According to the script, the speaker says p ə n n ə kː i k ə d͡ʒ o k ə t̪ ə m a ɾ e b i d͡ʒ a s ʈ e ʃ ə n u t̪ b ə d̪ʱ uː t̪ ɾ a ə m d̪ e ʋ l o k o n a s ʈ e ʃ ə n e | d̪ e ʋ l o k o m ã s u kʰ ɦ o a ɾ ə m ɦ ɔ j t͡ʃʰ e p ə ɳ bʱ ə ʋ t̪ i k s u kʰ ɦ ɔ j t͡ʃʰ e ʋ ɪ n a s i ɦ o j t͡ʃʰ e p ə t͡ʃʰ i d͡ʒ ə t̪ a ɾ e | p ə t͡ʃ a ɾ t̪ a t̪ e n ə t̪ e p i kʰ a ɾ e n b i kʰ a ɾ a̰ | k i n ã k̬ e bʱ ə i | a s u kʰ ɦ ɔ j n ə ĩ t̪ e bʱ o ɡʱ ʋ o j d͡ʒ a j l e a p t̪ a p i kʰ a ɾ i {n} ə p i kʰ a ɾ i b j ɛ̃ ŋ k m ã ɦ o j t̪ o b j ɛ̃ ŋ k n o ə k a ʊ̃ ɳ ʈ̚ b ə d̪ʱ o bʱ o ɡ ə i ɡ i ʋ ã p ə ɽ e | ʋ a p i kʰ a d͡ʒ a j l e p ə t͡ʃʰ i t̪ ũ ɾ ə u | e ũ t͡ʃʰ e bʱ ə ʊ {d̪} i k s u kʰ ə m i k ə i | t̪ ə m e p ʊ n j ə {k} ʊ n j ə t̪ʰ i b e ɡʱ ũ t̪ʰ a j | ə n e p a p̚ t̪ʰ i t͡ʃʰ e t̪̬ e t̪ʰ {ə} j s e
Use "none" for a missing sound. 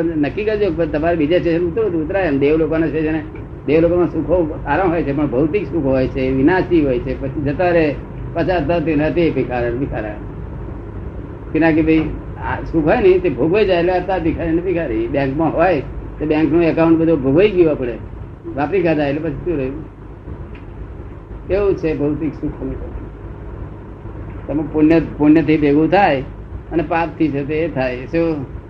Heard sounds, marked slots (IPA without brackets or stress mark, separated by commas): n, t̪, p, a